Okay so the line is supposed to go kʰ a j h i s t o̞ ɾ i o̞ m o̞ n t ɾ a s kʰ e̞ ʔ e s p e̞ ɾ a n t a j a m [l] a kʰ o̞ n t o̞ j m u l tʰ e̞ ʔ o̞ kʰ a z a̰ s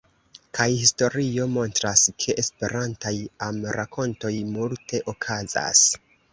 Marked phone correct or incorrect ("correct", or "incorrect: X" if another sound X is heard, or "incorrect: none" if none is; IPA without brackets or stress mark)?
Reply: incorrect: ɾ